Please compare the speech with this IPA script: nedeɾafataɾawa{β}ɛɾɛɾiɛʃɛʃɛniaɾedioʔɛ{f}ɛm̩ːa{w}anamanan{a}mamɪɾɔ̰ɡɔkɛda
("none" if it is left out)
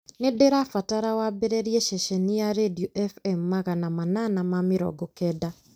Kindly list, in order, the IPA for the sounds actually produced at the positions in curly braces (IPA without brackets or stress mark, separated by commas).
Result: b, f, ɣ, a